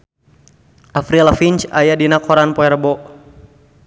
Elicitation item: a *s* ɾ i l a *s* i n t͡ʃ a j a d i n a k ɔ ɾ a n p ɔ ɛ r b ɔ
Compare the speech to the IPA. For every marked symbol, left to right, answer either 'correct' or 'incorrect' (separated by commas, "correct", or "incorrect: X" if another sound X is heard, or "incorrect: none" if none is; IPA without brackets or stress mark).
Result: incorrect: f, incorrect: f